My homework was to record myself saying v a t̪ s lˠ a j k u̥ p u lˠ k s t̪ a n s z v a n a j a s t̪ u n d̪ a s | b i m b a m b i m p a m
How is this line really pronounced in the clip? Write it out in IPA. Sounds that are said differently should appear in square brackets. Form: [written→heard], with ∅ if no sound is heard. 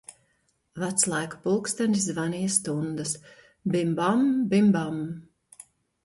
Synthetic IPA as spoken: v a t̪ s lˠ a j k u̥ p u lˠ k s t̪ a n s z v a n [a→i] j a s t̪ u n d̪ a s | b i m b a m b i m [p→b] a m